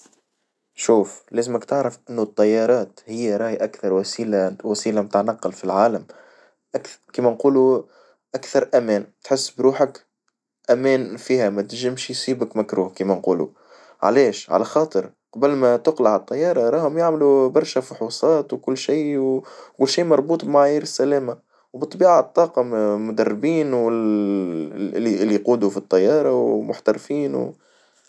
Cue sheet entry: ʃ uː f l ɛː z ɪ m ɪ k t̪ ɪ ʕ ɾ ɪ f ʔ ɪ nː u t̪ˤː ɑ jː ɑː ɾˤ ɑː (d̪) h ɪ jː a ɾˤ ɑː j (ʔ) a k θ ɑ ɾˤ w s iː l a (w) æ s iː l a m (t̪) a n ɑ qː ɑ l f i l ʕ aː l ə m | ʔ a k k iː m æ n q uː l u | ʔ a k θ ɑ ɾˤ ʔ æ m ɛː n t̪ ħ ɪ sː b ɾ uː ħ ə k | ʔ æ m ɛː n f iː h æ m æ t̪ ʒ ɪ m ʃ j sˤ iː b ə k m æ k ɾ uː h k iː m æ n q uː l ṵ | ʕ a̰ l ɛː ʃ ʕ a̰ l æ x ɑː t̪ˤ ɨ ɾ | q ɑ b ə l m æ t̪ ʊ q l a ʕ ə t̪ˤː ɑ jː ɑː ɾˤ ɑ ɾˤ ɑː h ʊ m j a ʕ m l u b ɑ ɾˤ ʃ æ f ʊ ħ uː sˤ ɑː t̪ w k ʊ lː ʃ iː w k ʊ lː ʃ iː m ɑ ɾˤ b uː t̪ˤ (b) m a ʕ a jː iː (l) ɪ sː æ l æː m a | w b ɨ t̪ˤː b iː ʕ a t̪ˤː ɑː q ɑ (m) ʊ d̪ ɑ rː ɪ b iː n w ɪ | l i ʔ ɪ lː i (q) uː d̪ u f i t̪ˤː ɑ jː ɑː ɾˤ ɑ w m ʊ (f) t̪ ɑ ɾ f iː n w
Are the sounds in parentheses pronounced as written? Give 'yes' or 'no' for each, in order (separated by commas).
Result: no, yes, yes, yes, yes, no, yes, yes, no